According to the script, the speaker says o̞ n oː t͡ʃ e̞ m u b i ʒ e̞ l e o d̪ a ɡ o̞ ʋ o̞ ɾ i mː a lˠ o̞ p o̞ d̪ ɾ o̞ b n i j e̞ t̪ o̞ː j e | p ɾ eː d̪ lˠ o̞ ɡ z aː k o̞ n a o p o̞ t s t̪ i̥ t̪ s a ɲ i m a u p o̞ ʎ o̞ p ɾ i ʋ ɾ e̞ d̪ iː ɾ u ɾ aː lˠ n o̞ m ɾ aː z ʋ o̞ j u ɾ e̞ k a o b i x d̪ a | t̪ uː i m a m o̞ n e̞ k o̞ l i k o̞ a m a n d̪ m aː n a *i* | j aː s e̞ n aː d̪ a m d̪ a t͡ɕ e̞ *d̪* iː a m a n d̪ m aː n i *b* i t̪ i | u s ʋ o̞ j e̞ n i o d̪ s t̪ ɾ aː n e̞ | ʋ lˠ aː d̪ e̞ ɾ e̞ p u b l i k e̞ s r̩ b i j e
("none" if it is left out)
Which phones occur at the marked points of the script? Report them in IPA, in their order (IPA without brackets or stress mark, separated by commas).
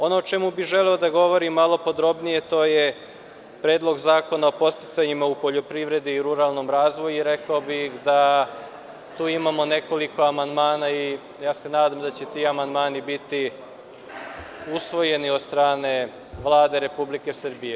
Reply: i, t̪, b